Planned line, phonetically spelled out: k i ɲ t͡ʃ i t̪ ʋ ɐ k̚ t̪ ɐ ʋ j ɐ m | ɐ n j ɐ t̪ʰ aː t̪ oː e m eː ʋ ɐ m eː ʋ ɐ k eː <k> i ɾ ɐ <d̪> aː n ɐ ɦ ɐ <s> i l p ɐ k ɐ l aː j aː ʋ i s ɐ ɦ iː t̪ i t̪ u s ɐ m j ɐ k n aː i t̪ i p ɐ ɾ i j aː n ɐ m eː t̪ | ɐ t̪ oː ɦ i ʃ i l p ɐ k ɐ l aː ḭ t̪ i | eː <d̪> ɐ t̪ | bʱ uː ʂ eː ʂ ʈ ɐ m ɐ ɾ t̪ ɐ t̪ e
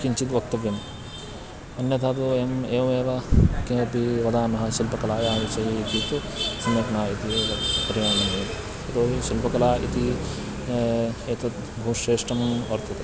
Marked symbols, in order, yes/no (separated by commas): no, yes, no, no